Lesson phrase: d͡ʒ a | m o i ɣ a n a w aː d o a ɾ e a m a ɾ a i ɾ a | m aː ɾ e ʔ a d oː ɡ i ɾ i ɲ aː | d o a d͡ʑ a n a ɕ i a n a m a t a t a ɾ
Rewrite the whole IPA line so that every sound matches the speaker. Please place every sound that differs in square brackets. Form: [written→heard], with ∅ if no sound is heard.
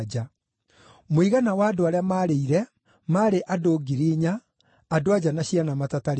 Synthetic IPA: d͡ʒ a | m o i ɣ a n a w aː d o a ɾ e a m a ɾ [a→e] i ɾ [a→ɛ] | m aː ɾ e ʔ a d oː ɡ i ɾ i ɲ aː | d o a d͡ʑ a n a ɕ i a n a m a t a t a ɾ